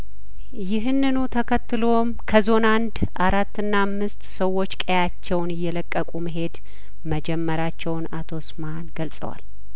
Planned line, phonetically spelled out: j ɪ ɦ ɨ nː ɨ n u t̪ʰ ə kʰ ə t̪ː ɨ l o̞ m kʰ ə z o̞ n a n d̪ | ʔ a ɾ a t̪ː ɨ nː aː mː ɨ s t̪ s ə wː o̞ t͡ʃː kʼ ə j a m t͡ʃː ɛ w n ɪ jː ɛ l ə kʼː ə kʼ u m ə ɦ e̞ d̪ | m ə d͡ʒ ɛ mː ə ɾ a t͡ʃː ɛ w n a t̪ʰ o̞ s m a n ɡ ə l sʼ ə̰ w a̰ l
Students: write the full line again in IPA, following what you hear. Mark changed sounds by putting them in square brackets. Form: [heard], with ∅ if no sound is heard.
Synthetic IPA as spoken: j ɪ ɦ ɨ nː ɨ n u t̪ʰ ə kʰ ə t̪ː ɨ l o̞ m kʰ ə z o̞ n a n d̪ | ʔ a ɾ a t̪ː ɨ nː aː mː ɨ s t̪ s ə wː o̞ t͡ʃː kʼ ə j a [∅] t͡ʃː ɛ w n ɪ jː ɛ l ə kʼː ə kʼ u m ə ɦ e̞ d̪ | m ə d͡ʒ ɛ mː ə ɾ a t͡ʃː ɛ w n a t̪ʰ o̞ s m a n ɡ ə l sʼ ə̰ w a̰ l